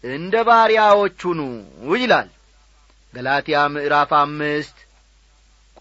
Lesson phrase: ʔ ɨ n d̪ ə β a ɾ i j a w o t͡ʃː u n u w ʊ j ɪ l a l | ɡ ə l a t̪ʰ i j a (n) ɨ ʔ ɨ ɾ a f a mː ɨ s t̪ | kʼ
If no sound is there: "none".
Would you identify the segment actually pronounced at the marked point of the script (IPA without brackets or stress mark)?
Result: m